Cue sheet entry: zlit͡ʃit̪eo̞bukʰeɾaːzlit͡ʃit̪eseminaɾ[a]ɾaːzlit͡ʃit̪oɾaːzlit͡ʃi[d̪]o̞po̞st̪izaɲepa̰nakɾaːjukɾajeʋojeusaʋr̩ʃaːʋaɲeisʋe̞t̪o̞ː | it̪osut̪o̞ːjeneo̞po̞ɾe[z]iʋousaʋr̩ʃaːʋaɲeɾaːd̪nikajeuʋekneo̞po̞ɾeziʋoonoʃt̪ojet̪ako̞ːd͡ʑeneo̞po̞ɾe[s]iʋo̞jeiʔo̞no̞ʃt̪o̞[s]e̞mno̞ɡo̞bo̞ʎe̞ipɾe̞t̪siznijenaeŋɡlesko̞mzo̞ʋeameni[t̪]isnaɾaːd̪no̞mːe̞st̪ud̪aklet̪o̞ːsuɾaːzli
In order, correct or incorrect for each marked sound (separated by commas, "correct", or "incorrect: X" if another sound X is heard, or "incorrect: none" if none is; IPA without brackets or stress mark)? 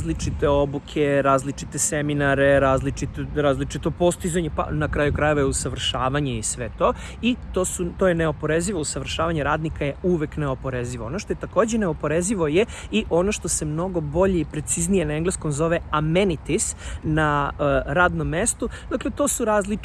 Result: incorrect: e, incorrect: t̪, correct, incorrect: z, correct, correct